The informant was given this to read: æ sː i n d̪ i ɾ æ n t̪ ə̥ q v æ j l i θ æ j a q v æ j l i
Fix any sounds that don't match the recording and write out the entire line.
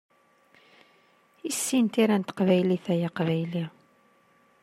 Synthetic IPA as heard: i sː i n t̪ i ɾ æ n t̪ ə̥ q v æ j l i θ æ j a q v æ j l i

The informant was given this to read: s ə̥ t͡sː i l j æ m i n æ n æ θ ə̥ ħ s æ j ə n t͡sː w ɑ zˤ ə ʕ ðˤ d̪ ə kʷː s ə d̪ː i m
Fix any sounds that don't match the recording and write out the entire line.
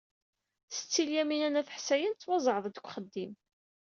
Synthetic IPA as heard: s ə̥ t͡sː i l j æ m i n æ n æ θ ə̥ ħ s æ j ə n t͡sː w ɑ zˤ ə ʕ ðˤ d̪ ə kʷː χ ə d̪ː i m

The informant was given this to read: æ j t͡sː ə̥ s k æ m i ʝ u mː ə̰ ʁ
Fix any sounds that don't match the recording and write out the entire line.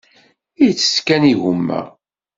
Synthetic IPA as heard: i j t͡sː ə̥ s k æ n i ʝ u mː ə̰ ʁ

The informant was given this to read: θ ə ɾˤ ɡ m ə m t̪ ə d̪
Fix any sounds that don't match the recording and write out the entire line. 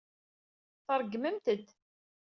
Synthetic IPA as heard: θ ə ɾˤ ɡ m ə m t̪ ə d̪

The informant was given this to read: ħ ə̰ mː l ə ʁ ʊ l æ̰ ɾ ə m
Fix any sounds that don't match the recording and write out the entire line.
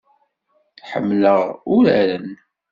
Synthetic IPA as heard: ħ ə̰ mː l ə ʁ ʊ ɾ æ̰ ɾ ə n

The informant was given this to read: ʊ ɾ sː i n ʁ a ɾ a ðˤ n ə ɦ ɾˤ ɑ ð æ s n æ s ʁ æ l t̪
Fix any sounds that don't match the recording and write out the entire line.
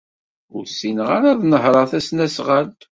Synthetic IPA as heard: ʊ ɾ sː i n ʁ a ɾ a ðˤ n ə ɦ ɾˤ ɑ θ æ s n æ s ʁ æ l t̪

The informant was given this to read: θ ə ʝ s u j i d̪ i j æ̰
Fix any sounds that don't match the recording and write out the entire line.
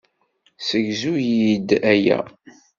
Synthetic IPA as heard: s ə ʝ z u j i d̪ æ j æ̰

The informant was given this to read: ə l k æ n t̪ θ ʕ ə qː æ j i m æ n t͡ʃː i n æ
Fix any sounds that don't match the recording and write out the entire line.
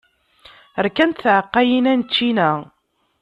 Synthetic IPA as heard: ə ɾ k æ n t̪ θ ʕ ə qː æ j i n æ n t͡ʃː i n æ

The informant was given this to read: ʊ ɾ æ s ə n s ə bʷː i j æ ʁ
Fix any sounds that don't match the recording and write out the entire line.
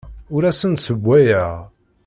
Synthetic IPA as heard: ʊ ɾ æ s ə n s ə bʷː æ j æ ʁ

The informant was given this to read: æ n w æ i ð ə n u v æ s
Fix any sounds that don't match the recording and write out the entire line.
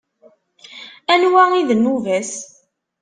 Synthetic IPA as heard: æ n w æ i ð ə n u v æ s

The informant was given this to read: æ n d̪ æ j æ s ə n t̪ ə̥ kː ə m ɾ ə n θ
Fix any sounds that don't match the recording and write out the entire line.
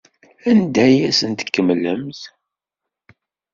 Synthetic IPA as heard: æ n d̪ æ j æ s ə n t̪ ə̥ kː ə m l ə m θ

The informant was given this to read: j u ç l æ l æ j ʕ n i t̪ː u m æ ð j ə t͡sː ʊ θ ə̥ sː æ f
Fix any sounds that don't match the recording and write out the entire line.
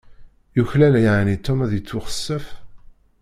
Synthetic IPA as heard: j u ç l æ l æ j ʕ n i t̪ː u m æ ð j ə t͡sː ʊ χ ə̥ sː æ f

